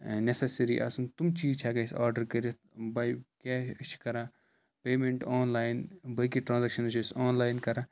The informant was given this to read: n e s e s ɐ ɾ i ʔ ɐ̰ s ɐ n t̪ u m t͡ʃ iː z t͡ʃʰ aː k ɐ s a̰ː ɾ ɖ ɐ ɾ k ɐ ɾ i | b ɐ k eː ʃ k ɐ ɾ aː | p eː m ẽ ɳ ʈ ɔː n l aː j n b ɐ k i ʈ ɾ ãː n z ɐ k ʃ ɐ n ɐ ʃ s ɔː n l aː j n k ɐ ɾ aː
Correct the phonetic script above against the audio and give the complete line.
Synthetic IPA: n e s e s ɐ ɾ i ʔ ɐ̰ s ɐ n t̪ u m t͡ʃ iː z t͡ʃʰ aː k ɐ s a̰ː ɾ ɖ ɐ ɾ k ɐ ɾ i | b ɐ k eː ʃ k ɐ ɾ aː | p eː m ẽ ɳ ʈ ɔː n l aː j n b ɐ k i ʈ ɾ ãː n z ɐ k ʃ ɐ n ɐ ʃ s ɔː n l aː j n k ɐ ɾ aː